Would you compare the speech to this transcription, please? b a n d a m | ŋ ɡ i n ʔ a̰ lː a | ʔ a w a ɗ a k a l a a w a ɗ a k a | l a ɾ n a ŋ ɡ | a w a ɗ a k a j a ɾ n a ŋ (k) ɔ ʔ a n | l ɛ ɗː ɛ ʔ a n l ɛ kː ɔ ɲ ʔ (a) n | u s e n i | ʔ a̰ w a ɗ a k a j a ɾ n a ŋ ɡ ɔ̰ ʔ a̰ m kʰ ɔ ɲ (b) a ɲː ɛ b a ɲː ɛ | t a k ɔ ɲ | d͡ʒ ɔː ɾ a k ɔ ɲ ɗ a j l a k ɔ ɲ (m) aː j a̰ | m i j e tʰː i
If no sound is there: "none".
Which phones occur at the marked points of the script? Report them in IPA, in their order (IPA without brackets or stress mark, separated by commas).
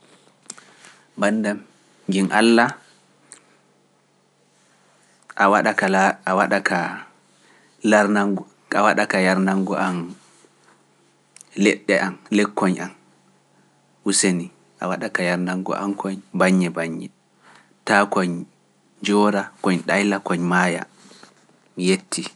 ɡ, a, b, m